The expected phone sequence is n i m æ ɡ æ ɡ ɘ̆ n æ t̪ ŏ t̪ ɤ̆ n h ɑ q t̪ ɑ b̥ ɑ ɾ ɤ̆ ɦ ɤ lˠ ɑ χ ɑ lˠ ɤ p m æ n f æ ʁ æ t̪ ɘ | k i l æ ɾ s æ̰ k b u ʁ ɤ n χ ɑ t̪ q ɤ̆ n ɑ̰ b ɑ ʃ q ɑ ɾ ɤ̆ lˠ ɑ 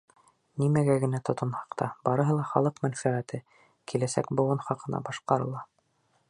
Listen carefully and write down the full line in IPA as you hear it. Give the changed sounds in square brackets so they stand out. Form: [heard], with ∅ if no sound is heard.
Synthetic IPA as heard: n i m æ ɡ æ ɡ ɘ̆ n æ t̪ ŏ t̪ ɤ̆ n h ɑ q t̪ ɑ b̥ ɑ ɾ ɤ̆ ɦ ɤ lˠ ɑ χ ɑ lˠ ɤ [q] m æ n f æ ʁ æ t̪ ɘ | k i l æ [∅] s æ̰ k b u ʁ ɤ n χ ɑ [∅] q ɤ̆ n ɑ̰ b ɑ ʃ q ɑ ɾ ɤ̆ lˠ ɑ